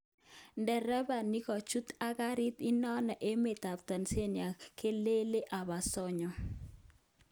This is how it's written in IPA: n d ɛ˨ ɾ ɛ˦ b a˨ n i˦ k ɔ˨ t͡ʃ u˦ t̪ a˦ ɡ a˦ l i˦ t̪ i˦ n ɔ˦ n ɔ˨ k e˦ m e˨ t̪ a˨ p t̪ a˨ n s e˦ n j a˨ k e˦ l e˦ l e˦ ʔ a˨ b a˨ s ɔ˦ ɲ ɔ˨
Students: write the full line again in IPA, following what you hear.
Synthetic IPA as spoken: n d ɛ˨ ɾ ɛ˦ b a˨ n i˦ k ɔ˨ t͡ʃ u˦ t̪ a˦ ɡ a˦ ɾ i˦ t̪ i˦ n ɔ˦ n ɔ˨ ʔ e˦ m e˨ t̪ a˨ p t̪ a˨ n s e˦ n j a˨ k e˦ l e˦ l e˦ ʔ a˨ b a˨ s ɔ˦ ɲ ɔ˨